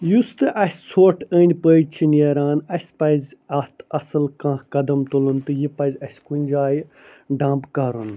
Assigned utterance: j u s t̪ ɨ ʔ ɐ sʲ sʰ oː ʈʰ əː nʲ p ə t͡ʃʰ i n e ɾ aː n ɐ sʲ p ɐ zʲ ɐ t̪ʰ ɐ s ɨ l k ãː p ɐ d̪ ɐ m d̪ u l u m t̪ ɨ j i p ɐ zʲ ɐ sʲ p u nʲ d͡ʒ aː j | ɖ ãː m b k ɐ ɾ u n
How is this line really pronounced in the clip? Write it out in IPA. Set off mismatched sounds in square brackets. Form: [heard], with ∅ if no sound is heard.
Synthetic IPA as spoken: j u s t̪ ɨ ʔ ɐ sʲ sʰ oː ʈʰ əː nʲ p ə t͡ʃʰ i n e ɾ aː n ɐ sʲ p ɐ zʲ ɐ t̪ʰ ɐ s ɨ l k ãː [k] ɐ d̪ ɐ m [t̪] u l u [n] t̪ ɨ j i p ɐ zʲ ɐ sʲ [k] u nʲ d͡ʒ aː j | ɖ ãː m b k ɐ ɾ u n

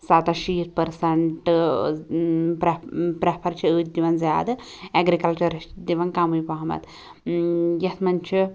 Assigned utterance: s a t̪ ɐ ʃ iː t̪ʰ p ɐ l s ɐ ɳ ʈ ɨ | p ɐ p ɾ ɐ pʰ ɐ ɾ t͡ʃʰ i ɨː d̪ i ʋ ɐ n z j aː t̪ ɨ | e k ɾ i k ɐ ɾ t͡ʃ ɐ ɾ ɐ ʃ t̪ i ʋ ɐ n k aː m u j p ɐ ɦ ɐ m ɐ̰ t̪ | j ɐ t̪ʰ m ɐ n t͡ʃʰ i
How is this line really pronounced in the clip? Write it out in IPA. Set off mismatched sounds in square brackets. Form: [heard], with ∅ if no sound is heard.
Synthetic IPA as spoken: s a t̪ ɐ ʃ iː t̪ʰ p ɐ [ɾ] s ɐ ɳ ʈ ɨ | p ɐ p ɾ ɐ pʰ ɐ ɾ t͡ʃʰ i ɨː d̪ i ʋ ɐ n z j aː [d̪] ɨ | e [ɡ] ɾ i k ɐ [l] t͡ʃ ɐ ɾ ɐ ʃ [d̪] i ʋ ɐ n k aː m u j p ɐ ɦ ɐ m ɐ̰ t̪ | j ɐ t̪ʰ m ɐ n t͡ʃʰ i

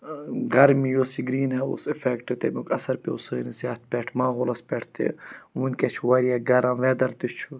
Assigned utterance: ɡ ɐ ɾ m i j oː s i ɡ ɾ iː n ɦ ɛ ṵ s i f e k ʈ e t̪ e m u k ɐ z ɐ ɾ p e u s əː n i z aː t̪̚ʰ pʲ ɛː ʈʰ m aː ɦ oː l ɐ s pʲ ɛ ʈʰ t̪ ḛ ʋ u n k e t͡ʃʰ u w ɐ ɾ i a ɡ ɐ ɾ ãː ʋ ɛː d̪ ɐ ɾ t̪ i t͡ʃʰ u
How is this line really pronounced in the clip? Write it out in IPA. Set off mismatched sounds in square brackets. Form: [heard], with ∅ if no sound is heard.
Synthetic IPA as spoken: ɡ ɐ ɾ m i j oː s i ɡ ɾ iː n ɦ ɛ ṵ s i f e k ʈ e t̪ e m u k ɐ [s] ɐ ɾ p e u s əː n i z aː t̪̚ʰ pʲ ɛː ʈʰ m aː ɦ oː l ɐ s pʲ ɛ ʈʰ t̪ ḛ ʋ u n k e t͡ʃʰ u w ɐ ɾ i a ɡ ɐ ɾ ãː ʋ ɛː d̪ ɐ ɾ t̪ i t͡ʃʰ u

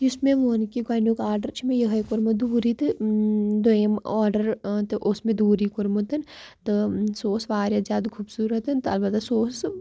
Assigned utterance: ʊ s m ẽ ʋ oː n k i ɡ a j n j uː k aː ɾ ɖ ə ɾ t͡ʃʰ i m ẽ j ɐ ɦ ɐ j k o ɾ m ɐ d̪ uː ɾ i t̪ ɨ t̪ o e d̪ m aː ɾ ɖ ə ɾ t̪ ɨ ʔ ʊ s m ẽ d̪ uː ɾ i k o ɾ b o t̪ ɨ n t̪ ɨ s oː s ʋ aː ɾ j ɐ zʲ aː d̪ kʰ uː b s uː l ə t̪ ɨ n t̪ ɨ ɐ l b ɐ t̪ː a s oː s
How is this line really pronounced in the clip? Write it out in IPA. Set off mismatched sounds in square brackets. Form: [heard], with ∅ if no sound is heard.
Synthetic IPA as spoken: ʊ s m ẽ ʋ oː n k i ɡ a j n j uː k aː ɾ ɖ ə ɾ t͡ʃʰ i m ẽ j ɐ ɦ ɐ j k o ɾ m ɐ d̪ uː ɾ i t̪ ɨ [d̪] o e [∅] m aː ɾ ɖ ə ɾ t̪ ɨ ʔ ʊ s m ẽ d̪ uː ɾ i k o ɾ [m] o t̪ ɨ n t̪ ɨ s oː s ʋ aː ɾ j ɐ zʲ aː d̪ kʰ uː b s uː [ɾ] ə t̪ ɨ n t̪ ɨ ɐ l b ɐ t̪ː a s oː s

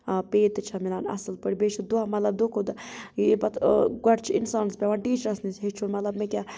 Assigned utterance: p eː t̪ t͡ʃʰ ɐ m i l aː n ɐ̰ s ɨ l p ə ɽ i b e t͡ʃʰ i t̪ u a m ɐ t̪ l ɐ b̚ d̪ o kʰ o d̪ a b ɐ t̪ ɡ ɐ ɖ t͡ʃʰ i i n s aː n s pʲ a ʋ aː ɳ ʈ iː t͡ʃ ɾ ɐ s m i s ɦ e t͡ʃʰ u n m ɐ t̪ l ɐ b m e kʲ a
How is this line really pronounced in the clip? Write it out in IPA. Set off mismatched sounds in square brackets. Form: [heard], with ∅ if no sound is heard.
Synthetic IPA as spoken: p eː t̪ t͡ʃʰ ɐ m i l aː n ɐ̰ s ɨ l p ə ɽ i b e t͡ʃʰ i [d̪] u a m ɐ t̪ l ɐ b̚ d̪ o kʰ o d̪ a b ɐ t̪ ɡ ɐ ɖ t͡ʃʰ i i n s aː n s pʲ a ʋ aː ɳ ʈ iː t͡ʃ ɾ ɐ s [n] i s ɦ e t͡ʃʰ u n m ɐ t̪ l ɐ b m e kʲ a

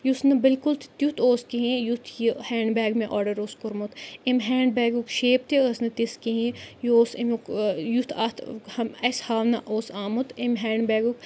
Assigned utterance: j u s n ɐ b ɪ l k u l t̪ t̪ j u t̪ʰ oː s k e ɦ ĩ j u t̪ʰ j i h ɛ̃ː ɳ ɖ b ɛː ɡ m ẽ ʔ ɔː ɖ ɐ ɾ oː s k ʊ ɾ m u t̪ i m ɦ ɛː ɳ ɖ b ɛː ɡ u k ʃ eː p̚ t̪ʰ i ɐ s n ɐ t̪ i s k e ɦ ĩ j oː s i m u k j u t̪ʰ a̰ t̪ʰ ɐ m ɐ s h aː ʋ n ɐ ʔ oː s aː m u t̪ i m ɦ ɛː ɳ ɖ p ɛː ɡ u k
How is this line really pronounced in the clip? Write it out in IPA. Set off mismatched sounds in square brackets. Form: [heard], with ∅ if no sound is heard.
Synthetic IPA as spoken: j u s n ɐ b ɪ l k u l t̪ t̪ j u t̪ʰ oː s k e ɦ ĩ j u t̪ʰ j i h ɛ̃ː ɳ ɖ b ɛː ɡ m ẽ ʔ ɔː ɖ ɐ ɾ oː s k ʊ ɾ m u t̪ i m ɦ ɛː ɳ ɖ b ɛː ɡ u k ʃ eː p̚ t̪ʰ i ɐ s n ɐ t̪ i s k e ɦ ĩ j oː s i m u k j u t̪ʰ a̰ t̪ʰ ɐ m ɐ s h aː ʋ n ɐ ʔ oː s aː m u t̪ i m ɦ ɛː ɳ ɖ [b] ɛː ɡ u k

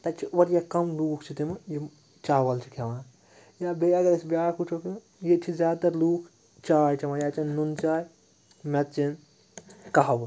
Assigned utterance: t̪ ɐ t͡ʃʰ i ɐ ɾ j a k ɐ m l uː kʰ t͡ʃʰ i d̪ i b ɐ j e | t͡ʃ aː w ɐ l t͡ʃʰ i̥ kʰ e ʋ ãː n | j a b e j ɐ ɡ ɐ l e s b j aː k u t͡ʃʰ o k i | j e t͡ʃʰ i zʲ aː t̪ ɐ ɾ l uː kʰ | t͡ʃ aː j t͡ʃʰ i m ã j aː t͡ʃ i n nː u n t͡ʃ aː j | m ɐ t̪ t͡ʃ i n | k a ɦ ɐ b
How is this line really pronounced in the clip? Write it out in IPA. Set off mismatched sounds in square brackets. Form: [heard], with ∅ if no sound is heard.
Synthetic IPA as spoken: t̪ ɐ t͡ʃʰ i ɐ ɾ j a k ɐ m l uː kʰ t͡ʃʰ i [t̪] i [m] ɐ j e | t͡ʃ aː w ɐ l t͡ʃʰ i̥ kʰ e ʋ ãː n | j a b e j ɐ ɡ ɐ [ɾ] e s b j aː k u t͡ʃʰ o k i | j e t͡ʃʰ i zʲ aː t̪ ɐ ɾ l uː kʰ | t͡ʃ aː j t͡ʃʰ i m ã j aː t͡ʃ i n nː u n t͡ʃ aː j | m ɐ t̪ t͡ʃ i n | k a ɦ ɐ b

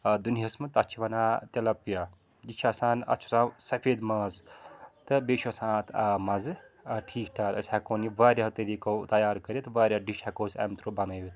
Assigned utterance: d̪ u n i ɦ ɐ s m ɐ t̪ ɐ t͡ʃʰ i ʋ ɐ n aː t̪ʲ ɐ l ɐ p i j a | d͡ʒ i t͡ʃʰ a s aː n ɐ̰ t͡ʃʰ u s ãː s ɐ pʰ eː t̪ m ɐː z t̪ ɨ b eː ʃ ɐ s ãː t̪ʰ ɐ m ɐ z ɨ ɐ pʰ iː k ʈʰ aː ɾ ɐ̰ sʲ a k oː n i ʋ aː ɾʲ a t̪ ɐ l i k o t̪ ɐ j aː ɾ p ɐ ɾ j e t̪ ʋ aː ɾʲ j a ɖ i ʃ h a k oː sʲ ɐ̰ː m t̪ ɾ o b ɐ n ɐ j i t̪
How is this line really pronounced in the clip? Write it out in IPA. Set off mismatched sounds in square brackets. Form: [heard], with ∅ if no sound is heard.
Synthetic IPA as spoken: d̪ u n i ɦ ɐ s m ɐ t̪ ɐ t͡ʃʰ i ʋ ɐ n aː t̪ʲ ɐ l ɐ p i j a | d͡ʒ i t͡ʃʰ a s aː n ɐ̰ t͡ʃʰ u s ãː s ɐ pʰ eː [d̪] m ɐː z t̪ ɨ b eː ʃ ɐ s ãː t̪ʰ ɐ m ɐ z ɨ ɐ [ʈʰ] iː k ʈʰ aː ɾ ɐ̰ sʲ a k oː n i ʋ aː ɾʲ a t̪ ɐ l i k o t̪ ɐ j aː ɾ [k] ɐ ɾ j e t̪ ʋ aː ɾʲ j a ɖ i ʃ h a k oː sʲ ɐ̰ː m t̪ ɾ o b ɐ n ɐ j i t̪

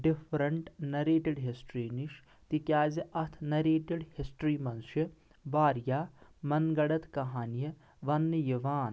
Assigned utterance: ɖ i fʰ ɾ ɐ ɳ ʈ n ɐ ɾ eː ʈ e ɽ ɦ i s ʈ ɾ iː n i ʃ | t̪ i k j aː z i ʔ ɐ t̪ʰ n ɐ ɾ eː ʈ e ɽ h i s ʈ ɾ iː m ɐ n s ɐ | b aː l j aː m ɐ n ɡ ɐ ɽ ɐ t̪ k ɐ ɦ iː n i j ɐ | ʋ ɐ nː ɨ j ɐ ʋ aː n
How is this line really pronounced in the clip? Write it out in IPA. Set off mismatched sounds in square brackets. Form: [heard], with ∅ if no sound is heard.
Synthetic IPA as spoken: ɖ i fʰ ɾ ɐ ɳ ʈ n ɐ ɾ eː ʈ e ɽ ɦ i s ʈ ɾ iː n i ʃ | t̪ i k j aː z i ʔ ɐ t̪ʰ n ɐ ɾ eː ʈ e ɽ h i s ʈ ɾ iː m ɐ n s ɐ | b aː [ɾ] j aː m ɐ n ɡ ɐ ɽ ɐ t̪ k ɐ ɦ [aː] n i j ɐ | ʋ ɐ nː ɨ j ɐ ʋ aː n

